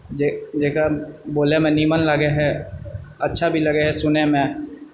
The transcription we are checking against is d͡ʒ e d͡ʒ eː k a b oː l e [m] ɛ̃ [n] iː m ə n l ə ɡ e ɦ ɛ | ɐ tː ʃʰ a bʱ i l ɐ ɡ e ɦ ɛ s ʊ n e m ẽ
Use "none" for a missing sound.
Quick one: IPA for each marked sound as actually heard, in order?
m, n

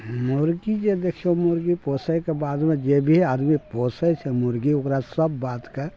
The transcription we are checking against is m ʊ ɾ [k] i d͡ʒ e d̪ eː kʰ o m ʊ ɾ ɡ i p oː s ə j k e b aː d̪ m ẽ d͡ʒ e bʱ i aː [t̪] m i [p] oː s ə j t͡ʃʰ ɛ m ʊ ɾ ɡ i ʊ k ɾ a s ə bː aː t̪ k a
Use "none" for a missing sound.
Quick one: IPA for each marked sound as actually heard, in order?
ɡ, d̪, p

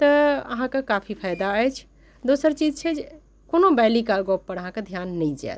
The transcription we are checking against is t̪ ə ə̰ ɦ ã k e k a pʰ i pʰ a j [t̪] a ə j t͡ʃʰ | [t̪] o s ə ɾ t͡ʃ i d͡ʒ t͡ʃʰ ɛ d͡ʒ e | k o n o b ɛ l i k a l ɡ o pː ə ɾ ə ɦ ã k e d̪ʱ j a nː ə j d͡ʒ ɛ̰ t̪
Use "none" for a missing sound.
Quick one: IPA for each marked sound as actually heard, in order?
d̪, d̪

